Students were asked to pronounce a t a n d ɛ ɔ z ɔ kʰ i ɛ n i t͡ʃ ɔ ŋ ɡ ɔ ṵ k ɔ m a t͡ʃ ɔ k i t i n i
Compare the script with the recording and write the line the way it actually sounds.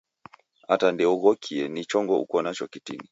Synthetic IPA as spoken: a t a n d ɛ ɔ ɣ ɔ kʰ i ɛ n i t͡ʃ ɔ ŋ ɡ ɔ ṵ k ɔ n a t͡ʃ ɔ k i t i n i